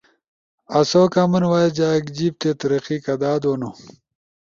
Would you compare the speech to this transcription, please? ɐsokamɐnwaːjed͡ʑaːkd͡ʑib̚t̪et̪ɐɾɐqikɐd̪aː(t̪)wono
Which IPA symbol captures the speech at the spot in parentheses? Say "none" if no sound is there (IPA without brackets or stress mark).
d̪